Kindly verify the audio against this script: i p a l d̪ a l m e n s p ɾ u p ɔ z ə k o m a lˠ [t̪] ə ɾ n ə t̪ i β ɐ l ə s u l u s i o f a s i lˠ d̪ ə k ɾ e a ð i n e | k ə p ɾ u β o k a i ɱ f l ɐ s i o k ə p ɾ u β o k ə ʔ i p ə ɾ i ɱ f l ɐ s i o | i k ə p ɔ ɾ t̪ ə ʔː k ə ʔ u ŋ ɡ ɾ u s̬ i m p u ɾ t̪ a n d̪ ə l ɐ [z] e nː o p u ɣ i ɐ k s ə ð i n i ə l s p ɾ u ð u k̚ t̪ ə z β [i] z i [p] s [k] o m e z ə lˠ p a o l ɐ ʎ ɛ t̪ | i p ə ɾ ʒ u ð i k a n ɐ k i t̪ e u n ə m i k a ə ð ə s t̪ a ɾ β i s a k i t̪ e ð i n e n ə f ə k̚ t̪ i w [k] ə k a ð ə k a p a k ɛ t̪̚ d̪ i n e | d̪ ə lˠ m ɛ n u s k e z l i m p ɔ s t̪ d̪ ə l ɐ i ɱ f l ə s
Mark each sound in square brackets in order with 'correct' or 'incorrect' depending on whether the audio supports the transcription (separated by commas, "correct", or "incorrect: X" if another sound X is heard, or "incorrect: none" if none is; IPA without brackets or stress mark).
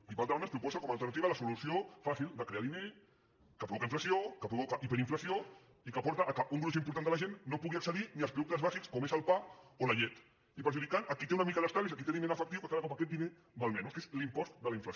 correct, incorrect: ʒ, incorrect: a, incorrect: k, correct, correct